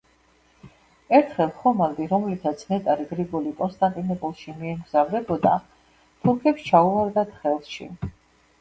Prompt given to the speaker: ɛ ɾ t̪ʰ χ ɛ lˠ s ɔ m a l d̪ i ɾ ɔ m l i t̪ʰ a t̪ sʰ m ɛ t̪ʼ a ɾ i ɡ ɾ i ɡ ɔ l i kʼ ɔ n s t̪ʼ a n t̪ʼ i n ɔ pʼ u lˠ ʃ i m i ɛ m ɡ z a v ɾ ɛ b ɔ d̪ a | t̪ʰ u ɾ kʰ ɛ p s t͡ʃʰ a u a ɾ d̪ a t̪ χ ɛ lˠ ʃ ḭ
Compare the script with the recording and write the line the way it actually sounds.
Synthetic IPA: ɛ ɾ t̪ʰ χ ɛ lˠ χ ɔ m a l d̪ i ɾ ɔ m l i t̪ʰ a t̪ sʰ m ɛ t̪ʼ a ɾ i ɡ ɾ i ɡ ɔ l i kʼ ɔ n s t̪ʼ a n t̪ʼ i n ɔ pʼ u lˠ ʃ i m i ɛ m ɡ z a v ɾ ɛ b ɔ d̪ a | t̪ʰ u ɾ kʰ ɛ p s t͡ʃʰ a u a ɾ d̪ a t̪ χ ɛ lˠ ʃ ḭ